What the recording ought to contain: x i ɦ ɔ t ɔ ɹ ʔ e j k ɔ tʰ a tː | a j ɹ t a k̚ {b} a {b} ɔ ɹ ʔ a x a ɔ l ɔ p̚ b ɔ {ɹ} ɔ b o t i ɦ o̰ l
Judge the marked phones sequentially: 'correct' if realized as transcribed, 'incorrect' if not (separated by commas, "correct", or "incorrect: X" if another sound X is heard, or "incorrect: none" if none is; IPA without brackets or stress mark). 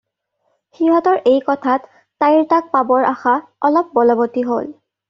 incorrect: p, correct, incorrect: l